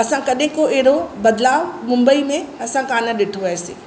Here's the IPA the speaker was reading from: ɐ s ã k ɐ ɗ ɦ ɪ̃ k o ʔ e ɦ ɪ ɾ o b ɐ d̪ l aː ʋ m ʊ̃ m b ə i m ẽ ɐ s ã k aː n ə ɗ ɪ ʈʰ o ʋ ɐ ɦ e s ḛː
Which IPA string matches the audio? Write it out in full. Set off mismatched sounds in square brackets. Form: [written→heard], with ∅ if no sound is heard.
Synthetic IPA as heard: ɐ s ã k ɐ ɗ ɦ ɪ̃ k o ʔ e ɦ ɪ ɾ o b ɐ d̪ l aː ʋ m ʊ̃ m b ə i m ẽ ɐ s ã k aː n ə ɗ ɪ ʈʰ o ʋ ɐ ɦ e s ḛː